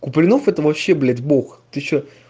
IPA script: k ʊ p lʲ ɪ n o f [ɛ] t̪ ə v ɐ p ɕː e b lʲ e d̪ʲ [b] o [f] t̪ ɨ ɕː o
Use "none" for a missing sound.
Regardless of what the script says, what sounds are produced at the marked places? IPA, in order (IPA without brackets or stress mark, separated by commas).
ɛ, b, x